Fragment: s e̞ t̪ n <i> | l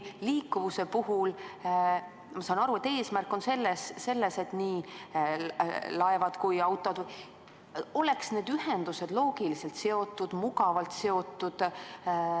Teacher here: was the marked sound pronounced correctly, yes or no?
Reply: no